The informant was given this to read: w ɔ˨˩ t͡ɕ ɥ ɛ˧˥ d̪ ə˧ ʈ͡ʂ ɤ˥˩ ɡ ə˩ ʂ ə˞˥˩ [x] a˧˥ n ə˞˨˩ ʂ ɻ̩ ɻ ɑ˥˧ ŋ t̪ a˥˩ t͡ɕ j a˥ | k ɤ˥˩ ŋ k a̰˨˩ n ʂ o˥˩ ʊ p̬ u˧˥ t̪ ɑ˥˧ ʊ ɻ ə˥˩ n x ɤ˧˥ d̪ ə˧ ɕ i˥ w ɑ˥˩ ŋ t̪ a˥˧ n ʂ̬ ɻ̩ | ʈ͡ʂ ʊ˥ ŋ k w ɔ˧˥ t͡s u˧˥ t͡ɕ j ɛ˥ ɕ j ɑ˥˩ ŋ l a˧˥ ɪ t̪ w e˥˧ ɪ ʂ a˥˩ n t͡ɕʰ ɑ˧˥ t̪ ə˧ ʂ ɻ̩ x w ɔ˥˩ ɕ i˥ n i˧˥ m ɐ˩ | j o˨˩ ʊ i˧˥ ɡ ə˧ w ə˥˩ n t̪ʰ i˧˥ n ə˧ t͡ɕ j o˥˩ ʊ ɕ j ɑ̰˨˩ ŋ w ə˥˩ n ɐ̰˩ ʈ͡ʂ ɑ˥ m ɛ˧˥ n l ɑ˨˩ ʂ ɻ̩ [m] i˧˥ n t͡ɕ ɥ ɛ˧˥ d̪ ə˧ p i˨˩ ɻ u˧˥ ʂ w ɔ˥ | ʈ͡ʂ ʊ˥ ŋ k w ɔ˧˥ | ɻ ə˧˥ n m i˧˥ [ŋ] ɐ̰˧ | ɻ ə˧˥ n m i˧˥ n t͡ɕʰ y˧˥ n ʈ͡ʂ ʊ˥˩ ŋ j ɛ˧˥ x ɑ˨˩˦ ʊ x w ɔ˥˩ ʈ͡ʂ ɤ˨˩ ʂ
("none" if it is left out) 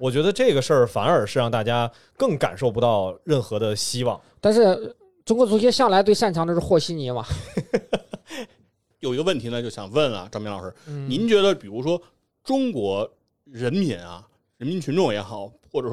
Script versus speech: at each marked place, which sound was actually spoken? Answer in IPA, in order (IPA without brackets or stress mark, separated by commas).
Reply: f, n, n